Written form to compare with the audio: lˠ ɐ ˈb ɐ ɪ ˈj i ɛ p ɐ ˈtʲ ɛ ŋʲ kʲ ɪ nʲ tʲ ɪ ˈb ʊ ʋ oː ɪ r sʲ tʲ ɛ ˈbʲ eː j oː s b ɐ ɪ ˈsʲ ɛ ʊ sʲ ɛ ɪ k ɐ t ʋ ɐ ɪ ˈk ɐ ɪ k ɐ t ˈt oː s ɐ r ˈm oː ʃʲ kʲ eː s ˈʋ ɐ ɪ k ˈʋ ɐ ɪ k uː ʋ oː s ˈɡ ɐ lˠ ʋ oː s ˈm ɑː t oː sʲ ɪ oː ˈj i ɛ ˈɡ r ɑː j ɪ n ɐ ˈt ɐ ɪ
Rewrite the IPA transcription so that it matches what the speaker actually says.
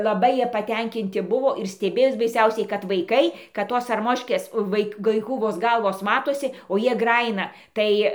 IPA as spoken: lˠ ɐ ˈb ɐ ɪ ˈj i ɛ p ɐ ˈtʲ ɛ ŋʲ kʲ ɪ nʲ tʲ ɪ ˈb ʊ ʋ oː ɪ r sʲ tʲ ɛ ˈbʲ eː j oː s b ɐ ɪ ˈsʲ ɛ ʊ sʲ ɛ ɪ k ɐ t ʋ ɐ ɪ ˈk ɐ ɪ k ɐ t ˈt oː s ɐ r ˈm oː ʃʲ kʲ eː s ˈʋ ɐ ɪ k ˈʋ ɐ ɪ k uː ʋ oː s ˈɡ ɐ lˠ ʋ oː s ˈm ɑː t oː sʲ ɪ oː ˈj i ɛ ˈɡ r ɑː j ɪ n ɐ ˈt ɐ ɪ